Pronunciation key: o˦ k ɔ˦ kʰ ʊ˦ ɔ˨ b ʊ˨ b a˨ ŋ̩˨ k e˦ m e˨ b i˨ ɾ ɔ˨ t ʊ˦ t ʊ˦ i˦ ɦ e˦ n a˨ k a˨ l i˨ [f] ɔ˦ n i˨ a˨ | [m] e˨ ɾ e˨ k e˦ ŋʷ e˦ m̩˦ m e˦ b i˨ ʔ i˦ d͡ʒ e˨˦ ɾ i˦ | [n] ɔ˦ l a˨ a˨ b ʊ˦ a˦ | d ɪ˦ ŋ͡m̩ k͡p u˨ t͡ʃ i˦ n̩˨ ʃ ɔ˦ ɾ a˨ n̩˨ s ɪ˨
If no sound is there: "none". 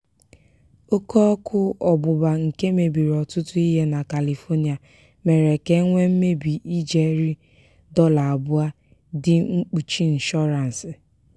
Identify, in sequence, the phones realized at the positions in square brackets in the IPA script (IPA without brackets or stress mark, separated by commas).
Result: f, m, d